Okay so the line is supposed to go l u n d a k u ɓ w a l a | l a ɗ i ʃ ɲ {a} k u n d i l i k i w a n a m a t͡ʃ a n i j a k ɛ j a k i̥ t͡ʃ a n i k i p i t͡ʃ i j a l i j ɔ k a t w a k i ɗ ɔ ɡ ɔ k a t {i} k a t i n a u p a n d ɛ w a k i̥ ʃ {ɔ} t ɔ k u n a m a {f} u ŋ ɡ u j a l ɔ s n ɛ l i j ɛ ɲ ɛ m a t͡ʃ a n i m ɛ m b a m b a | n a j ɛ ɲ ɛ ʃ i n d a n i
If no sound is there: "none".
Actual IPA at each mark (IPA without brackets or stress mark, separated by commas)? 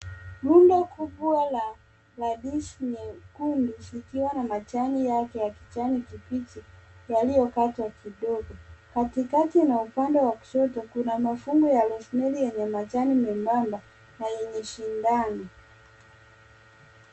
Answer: ɛ, i, ɔ, f